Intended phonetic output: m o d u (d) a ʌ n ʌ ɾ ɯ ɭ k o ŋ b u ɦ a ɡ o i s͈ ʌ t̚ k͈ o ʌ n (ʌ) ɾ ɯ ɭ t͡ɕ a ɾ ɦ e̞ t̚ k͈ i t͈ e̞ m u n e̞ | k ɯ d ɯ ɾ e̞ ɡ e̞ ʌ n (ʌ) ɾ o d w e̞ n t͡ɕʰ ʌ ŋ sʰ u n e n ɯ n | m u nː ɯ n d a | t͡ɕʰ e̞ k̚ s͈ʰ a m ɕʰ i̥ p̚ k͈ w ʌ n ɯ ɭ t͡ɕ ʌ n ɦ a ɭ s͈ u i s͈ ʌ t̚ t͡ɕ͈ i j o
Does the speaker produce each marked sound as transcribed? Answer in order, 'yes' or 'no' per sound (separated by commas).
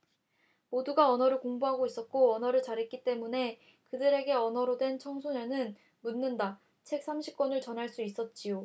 no, yes, yes